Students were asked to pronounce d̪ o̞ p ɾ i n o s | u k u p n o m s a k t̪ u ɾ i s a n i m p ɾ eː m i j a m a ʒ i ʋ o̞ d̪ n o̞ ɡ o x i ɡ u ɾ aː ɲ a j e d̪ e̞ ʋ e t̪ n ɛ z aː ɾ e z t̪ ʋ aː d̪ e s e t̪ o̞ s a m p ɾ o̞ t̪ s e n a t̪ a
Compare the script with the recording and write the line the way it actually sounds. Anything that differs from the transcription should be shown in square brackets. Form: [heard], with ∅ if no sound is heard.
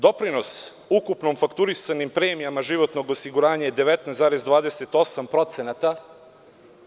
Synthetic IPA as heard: d̪ o̞ p ɾ i n o s | u k u p n o m [f] a k t̪ u ɾ i s a n i m p ɾ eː m i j a m a ʒ i ʋ o̞ [t̪] n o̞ ɡ o [s] i ɡ u ɾ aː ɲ a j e d̪ e̞ ʋ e t̪ n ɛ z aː ɾ e z [d̪] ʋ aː d̪ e s e t̪ o̞ s a m p ɾ o̞ t̪ s e n a t̪ a